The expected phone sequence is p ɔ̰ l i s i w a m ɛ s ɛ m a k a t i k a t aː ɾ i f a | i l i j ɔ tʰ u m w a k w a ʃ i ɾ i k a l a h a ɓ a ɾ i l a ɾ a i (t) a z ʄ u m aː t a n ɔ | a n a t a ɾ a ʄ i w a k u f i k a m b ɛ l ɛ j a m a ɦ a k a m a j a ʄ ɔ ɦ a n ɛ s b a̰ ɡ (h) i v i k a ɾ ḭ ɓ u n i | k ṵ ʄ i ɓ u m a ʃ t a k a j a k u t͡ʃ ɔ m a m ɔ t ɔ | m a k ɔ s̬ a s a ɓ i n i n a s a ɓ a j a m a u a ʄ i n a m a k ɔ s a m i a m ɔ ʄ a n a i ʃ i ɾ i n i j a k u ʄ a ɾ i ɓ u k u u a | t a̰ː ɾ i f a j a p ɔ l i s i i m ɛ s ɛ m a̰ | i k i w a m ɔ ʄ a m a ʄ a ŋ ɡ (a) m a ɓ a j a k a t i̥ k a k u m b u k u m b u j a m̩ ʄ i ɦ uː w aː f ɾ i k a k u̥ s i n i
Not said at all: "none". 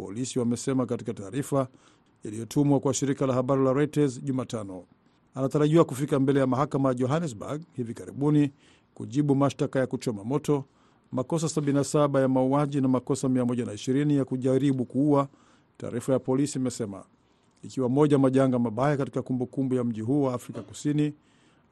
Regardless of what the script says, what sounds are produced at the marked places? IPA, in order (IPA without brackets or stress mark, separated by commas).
t, h, a